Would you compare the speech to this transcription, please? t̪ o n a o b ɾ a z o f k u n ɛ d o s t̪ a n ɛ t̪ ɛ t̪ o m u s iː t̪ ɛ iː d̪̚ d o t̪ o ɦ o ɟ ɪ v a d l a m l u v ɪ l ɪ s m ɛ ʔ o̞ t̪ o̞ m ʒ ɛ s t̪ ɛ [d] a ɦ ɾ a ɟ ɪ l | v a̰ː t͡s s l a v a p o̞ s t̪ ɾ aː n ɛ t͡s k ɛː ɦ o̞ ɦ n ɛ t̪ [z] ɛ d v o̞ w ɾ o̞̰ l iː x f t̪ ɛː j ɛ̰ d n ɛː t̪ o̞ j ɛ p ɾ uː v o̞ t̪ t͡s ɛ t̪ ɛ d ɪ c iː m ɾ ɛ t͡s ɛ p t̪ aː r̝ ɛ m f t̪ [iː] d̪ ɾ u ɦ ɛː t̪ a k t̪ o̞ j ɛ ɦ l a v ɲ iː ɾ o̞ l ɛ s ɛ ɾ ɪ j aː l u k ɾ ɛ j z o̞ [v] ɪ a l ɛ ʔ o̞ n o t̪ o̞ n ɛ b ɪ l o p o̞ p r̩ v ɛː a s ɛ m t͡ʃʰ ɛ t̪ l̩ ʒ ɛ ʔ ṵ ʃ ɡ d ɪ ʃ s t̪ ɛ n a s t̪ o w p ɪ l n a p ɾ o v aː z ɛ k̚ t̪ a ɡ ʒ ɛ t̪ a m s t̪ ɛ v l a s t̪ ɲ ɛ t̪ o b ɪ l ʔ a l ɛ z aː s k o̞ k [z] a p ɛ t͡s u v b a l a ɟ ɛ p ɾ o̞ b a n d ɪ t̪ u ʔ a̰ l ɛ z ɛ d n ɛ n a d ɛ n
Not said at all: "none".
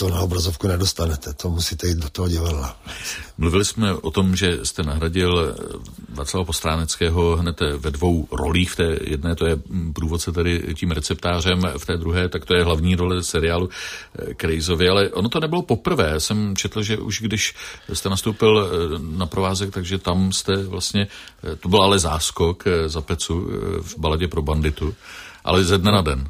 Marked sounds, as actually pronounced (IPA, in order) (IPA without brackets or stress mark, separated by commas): n, v, ɛː, v, z